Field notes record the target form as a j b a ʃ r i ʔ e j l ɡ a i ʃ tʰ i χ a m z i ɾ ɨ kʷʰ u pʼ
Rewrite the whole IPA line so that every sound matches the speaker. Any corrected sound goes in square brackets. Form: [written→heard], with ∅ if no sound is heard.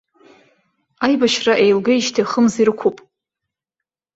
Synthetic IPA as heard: a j b a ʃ r [i→a] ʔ e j l ɡ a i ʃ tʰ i χ [a→ə] m z i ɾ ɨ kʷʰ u pʼ

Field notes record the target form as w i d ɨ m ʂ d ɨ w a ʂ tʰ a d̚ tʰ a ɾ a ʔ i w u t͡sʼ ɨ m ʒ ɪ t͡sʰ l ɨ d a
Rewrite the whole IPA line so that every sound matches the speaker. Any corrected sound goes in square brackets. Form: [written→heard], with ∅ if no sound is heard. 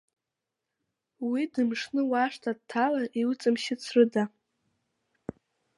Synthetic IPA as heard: w i d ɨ m ʂ [d→n] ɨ w a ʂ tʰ a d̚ tʰ a [ɾ→l] a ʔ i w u t͡sʼ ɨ m [ʒ→ʃ] ɪ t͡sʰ [l→r] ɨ d a

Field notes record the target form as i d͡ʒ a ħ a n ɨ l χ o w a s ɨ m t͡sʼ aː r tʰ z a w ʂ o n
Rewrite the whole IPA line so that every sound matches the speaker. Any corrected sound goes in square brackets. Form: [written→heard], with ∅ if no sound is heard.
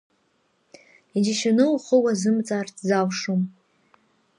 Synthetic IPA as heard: i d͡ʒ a [ħ→ʃ] a n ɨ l χ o w a [s→z] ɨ m t͡sʼ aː r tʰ z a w ʂ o [n→m]

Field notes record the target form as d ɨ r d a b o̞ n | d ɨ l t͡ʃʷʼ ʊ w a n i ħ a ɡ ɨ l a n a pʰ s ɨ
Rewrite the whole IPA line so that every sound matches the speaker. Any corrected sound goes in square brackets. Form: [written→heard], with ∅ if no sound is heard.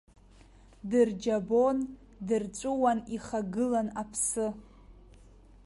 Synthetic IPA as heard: d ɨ r [d→d͡ʒ] a b o̞ n | d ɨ [l→r] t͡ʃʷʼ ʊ w a n i [ħ→χ] a ɡ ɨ l a n a pʰ s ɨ

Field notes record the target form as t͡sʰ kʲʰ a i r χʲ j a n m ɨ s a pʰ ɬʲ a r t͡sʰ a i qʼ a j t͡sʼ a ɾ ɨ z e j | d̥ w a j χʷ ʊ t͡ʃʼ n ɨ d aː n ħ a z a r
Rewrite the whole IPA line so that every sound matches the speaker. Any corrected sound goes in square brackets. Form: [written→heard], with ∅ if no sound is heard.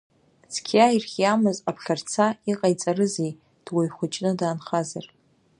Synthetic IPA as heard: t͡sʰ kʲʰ a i r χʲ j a [n→∅] m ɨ [s→z] a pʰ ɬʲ a r t͡sʰ a i qʼ a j t͡sʼ a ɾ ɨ z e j | d̥ w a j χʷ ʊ t͡ʃʼ n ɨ d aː n [ħ→χ] a z a r

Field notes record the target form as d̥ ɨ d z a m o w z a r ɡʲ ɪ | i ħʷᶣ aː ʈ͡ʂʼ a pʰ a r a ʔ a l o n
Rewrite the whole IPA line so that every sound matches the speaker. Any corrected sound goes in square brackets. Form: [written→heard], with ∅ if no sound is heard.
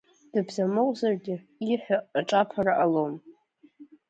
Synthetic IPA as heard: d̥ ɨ [d→b] z a m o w z a r ɡʲ ɪ | i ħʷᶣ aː ʈ͡ʂʼ a pʰ a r a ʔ a l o [n→m]

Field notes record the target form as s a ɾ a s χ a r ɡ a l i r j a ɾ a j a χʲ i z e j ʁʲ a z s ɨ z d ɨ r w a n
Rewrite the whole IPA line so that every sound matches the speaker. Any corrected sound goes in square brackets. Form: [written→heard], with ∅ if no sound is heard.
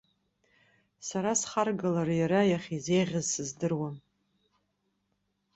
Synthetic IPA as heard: s a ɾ a s χ a r ɡ a l [i→a] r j a ɾ a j a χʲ i z e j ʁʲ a z s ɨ z d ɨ r w a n

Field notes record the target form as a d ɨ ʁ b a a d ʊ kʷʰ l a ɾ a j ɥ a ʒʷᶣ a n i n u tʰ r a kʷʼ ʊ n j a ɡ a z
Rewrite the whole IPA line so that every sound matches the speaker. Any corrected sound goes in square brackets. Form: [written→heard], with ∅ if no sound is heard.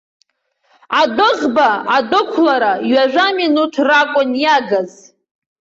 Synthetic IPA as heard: a d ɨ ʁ b a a d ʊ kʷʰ l a ɾ a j ɥ a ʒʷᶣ a [n→m] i n u tʰ r a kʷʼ ʊ n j a ɡ a z

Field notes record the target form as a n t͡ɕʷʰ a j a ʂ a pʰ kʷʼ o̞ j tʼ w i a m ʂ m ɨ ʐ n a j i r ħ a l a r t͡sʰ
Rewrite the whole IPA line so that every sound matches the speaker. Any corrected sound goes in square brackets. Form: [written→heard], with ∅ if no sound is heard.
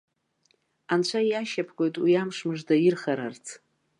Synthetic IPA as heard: a n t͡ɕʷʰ a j a [ʂ→ʃ] a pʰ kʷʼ o̞ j tʼ w i a m ʂ m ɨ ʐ [n→d] a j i r [ħ→χ] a [l→ɾ] a r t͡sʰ

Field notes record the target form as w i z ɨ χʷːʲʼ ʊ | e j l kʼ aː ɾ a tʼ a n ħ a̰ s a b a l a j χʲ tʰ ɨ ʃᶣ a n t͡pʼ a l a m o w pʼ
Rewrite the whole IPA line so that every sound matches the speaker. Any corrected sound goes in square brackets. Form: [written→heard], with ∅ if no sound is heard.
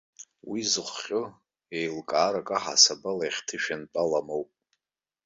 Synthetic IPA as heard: w i z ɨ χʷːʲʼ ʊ | e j l kʼ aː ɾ a [tʼ→kʼ] a [n→∅] ħ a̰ s a b a l a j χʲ tʰ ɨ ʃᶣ a n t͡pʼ a l a m o w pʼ

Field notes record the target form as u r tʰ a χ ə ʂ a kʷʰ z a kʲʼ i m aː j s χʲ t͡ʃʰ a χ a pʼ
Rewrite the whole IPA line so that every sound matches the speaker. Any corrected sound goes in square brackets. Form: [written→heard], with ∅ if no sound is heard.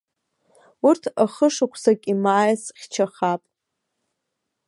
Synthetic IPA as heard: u r tʰ a χ ə ʂ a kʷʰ [z→s] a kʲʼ i m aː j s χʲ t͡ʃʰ a χ a pʼ

